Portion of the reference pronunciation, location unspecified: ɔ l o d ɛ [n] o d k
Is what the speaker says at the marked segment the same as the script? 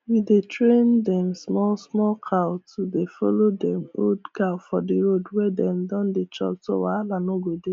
no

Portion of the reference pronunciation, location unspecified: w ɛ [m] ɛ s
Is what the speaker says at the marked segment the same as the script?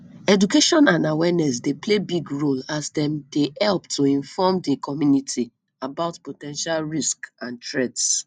no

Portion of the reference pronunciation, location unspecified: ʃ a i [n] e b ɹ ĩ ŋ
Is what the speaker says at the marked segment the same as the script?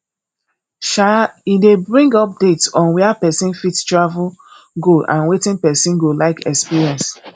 no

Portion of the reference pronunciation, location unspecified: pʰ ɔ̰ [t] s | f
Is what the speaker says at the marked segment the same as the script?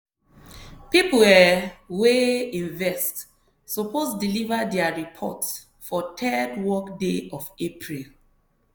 yes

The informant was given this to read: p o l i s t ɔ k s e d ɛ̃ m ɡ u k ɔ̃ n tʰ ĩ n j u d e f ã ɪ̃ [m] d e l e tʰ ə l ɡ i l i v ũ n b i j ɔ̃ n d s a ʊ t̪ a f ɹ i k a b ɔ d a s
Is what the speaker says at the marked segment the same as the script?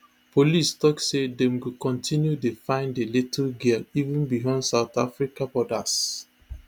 no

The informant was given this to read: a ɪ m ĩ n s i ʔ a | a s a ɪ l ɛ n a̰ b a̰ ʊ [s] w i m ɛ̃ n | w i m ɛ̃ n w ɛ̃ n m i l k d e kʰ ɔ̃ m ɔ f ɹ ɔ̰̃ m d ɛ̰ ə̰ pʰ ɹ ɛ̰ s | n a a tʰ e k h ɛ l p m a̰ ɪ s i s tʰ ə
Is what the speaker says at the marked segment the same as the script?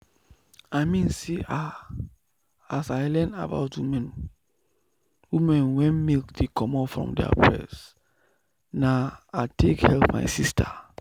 no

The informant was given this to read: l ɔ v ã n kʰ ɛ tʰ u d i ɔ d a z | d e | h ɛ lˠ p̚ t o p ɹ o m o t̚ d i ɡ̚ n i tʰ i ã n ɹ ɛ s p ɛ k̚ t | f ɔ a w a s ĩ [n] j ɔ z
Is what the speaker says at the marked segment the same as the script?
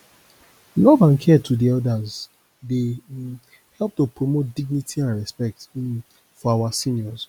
yes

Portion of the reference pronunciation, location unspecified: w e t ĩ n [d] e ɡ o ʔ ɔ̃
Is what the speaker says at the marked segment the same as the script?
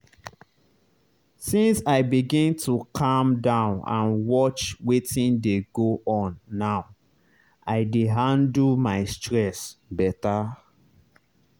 yes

